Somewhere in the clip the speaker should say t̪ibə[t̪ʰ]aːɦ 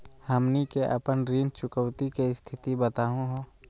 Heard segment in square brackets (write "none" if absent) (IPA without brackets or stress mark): t̪